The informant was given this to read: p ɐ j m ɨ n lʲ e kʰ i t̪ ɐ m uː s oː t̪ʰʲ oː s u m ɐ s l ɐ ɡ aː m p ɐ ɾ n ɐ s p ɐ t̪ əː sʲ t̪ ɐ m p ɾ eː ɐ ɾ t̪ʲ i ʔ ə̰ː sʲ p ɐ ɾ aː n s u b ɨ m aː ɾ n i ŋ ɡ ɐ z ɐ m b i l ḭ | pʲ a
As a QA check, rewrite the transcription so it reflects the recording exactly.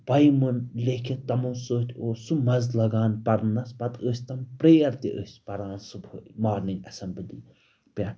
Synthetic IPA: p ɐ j m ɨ n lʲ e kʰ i t̪ ɐ m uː s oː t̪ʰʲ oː s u m ɐ z l ɐ ɡ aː n p ɐ ɾ n ɐ s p ɐ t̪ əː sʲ t̪ ɐ m p ɾ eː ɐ ɾ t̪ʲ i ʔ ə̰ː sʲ p ɐ ɾ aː n s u b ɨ m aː ɾ n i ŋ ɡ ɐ s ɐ m b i l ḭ | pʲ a